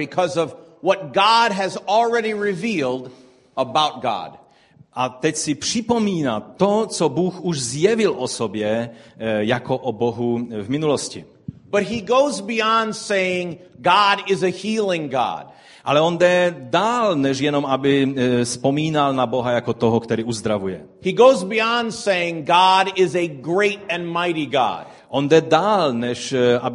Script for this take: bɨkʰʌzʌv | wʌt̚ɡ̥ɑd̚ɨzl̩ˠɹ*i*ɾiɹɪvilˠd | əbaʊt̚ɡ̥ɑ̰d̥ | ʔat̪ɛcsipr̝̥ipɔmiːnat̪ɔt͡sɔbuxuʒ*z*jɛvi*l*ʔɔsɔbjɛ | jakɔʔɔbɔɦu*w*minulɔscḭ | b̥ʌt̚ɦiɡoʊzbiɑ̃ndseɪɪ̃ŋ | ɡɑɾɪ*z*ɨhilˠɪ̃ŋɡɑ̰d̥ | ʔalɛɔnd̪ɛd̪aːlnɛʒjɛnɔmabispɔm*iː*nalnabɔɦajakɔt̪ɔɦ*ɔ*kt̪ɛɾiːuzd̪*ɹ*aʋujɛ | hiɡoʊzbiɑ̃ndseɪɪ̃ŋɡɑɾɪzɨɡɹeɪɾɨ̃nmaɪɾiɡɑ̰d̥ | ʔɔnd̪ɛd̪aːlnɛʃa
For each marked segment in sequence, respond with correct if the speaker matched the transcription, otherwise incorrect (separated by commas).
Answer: incorrect, correct, correct, incorrect, correct, correct, correct, incorrect